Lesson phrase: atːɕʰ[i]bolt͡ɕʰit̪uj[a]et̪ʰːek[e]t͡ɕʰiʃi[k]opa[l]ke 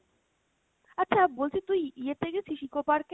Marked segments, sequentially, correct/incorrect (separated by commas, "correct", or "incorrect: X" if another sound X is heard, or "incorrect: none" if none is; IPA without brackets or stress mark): incorrect: a, incorrect: i, correct, correct, incorrect: ɾ